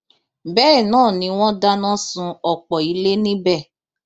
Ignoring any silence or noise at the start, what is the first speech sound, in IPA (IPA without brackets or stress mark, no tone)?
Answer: b